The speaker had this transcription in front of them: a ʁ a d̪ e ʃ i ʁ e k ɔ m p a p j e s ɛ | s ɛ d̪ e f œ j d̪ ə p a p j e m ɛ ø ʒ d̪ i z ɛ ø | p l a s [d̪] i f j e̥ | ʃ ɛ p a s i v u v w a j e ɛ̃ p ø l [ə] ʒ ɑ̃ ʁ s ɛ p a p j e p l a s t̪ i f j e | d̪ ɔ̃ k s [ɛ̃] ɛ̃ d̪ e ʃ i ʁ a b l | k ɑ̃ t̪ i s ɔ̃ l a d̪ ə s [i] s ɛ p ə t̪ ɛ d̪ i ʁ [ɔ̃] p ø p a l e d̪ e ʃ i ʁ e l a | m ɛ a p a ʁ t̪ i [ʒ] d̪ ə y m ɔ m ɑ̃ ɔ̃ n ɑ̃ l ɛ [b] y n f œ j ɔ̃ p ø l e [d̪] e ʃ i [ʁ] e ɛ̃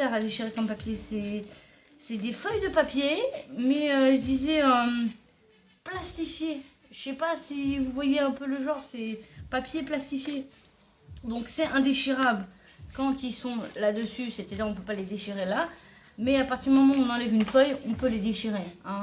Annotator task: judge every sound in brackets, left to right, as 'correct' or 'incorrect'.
incorrect, correct, incorrect, incorrect, correct, incorrect, incorrect, correct, correct

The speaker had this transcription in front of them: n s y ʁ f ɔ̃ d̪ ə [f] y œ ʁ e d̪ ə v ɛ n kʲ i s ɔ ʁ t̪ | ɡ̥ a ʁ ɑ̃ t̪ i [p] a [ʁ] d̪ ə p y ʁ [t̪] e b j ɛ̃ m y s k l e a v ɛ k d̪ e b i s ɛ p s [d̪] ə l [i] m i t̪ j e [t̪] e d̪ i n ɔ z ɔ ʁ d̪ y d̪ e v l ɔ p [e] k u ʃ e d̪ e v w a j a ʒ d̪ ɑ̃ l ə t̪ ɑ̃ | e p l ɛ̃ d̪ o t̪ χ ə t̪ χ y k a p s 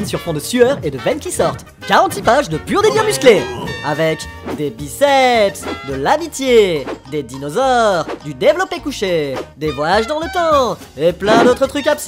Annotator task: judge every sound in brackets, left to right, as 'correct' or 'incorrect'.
incorrect, correct, incorrect, incorrect, correct, incorrect, incorrect, correct

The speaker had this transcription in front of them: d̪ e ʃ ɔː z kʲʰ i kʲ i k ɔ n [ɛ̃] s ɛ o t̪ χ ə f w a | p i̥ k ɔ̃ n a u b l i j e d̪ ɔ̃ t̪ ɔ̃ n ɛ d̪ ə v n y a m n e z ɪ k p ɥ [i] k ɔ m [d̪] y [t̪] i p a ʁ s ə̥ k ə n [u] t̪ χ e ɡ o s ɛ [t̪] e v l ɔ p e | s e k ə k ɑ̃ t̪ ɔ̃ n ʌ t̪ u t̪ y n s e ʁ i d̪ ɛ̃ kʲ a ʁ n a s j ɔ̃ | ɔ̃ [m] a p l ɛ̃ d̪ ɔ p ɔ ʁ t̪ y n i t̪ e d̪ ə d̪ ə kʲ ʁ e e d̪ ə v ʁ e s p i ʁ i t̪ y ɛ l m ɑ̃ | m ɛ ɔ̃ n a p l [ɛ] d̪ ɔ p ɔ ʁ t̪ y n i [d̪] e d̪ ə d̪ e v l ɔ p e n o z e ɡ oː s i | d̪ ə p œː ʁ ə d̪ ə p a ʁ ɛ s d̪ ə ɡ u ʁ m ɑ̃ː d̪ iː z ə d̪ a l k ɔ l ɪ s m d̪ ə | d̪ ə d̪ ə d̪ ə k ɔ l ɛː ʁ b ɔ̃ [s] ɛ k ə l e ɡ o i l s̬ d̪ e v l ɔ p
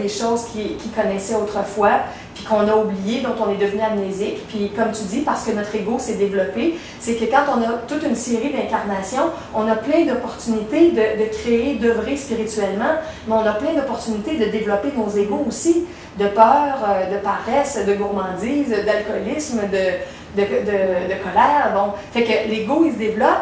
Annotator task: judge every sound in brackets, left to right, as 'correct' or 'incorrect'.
incorrect, correct, incorrect, incorrect, incorrect, incorrect, incorrect, incorrect, incorrect, incorrect

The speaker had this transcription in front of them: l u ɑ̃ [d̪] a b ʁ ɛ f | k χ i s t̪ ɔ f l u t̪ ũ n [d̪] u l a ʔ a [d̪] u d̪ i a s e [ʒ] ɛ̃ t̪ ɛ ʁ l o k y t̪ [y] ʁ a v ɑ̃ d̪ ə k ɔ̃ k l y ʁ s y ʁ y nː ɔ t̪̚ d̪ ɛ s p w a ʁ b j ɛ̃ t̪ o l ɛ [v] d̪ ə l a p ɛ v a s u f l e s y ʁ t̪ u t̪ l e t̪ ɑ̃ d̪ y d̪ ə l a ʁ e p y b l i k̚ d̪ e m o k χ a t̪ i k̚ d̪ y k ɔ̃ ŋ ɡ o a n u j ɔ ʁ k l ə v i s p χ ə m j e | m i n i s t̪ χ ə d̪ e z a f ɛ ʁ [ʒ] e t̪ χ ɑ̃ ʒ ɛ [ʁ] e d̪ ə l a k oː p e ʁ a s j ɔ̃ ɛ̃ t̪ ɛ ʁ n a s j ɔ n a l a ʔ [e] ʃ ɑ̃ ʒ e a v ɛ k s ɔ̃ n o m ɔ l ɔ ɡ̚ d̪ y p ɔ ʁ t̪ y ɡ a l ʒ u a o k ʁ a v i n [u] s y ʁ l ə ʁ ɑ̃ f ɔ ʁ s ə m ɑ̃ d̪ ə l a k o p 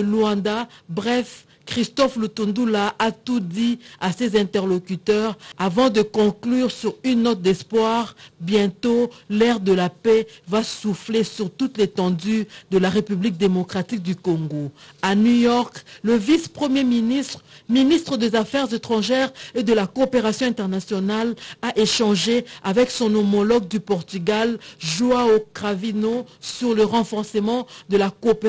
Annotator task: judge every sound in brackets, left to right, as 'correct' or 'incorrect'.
correct, correct, incorrect, incorrect, incorrect, incorrect, incorrect, correct, correct, incorrect

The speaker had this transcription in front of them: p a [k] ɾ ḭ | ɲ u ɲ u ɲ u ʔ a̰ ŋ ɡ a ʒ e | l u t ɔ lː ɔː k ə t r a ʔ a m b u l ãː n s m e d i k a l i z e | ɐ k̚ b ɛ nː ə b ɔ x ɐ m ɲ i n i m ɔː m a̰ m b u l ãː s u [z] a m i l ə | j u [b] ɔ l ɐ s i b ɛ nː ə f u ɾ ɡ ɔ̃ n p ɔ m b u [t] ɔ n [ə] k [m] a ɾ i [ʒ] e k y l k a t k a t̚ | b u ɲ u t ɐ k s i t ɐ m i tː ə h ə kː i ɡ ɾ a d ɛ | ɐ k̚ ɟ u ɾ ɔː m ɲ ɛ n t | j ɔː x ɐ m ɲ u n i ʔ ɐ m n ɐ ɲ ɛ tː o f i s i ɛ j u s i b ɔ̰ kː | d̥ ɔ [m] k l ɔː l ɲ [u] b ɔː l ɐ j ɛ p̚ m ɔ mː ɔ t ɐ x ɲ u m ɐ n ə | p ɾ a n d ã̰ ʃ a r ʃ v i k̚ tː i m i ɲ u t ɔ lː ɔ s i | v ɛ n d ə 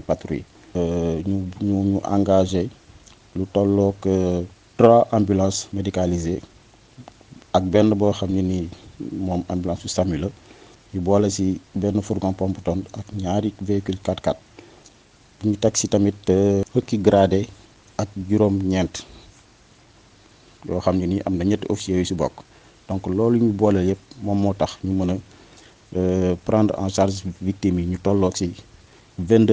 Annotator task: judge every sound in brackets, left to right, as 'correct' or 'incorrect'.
incorrect, incorrect, correct, correct, incorrect, incorrect, incorrect, incorrect, correct

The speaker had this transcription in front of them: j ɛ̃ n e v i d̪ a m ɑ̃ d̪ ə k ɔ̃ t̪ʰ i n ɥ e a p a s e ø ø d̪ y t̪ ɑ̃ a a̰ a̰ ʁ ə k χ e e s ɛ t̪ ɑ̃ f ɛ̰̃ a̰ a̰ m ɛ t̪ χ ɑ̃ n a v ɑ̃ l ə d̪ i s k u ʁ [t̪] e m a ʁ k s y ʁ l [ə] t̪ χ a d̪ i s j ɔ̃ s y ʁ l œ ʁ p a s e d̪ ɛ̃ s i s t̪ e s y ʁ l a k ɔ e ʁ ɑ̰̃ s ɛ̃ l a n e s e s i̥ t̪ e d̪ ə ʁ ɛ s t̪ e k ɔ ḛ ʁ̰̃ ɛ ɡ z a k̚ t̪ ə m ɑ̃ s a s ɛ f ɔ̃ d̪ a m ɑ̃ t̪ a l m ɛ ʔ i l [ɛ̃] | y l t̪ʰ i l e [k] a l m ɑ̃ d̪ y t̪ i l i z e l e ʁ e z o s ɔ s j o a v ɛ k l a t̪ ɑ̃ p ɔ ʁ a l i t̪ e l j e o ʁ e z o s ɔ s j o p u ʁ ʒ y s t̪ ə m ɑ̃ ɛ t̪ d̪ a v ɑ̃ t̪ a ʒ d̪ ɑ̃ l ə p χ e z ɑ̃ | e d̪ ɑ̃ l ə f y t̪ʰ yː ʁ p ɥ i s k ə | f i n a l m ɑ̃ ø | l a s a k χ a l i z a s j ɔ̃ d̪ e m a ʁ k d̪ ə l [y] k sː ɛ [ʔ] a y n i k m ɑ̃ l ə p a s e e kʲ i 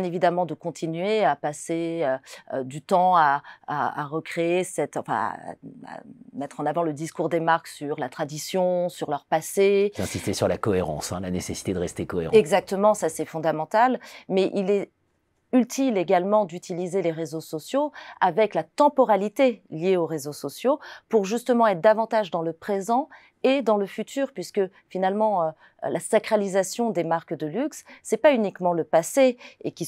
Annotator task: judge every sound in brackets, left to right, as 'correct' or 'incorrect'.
incorrect, incorrect, incorrect, incorrect, correct, incorrect

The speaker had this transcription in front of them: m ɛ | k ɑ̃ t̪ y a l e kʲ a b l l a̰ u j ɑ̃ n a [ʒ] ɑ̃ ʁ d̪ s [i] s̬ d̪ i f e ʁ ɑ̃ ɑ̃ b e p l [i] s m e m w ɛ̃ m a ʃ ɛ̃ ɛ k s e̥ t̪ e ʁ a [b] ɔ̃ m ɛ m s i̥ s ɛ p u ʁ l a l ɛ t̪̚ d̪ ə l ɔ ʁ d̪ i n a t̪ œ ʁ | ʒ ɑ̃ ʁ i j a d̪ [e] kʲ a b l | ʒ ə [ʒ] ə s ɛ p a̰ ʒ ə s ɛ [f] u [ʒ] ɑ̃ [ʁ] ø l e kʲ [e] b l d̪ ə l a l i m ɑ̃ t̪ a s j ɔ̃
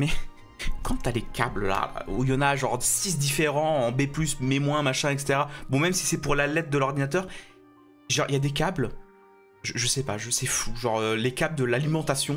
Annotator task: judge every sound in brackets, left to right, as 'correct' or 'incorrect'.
correct, correct, incorrect, correct, correct, correct, correct, correct, correct, incorrect

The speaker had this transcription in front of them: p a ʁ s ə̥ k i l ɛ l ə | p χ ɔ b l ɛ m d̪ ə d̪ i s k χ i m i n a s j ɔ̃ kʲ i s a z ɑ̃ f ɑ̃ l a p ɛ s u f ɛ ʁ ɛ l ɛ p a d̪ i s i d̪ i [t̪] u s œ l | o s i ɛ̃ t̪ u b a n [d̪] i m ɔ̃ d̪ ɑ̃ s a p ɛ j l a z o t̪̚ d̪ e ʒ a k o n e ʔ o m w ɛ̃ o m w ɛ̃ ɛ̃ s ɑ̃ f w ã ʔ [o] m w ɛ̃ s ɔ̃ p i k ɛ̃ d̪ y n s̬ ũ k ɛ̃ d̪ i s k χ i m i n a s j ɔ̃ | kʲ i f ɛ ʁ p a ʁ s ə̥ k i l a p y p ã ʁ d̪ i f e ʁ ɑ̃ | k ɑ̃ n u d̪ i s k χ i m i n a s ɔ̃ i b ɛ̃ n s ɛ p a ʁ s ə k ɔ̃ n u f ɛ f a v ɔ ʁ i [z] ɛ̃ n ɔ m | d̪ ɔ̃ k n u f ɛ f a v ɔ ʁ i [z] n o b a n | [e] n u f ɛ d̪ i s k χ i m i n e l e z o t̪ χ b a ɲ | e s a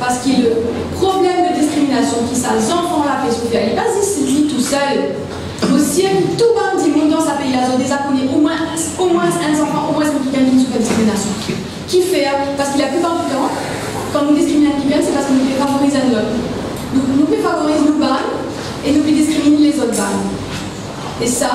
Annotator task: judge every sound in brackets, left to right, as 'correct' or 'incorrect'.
correct, correct, correct, correct, correct, correct

